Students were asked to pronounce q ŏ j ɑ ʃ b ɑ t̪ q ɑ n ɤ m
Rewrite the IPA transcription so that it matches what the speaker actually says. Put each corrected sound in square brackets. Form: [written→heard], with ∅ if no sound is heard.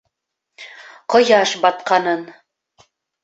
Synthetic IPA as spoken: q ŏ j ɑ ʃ b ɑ t̪ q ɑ n ɤ [m→n]